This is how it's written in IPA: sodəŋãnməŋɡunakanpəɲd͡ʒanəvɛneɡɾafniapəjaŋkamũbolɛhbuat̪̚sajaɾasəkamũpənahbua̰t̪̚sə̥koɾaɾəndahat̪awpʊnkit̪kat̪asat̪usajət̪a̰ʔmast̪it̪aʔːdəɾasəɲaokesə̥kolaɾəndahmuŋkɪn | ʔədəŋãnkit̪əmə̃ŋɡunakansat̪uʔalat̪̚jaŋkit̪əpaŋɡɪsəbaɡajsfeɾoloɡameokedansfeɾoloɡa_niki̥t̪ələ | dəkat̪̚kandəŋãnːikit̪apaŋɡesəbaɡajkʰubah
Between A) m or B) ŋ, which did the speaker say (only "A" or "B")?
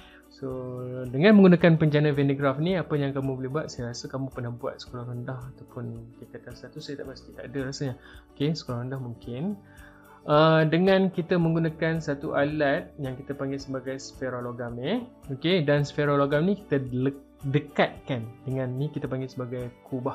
A